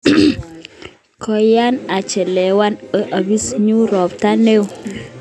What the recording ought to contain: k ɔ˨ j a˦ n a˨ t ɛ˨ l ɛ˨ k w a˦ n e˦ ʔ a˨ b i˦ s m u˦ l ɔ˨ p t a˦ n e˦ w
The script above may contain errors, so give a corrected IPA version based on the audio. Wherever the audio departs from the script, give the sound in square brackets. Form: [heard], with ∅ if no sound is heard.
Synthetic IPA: k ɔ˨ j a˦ n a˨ [t͡ʃ] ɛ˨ l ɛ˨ [∅] w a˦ n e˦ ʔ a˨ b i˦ s [ɲ] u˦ [ɾ] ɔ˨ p t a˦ n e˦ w